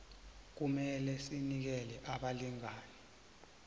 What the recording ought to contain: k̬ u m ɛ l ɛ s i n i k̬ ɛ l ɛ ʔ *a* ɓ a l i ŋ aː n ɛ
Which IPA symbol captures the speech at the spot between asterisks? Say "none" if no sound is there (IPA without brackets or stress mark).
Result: a